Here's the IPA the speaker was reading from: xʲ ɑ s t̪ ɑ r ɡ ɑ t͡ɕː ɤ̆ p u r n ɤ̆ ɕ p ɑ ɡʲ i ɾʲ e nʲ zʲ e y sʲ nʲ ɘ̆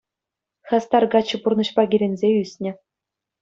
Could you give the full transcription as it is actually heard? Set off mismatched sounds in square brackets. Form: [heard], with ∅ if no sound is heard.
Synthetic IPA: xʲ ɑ s t̪ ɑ r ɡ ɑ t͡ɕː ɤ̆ p u r n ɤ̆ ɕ p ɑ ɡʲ i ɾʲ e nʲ zʲ e y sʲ nʲ ɘ̆